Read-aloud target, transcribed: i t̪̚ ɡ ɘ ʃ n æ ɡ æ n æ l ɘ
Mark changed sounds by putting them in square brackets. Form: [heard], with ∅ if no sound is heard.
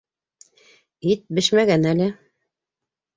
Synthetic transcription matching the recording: i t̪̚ [b] ɘ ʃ [m] æ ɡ æ n æ l ɘ